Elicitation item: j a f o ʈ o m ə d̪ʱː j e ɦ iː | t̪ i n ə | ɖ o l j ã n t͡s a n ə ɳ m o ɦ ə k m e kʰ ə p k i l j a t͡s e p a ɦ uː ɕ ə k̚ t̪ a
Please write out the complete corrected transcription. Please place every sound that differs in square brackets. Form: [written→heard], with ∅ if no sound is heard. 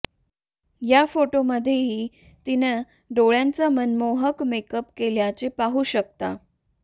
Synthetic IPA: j a f o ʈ o m ə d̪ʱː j e ɦ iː | t̪ i n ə | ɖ o [l→ɭ] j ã n t͡s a [n→m] ə [ɳ→n] m o ɦ ə k m e [kʰ→k] ə p k [i→e] l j a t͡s e p a ɦ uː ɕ ə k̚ t̪ a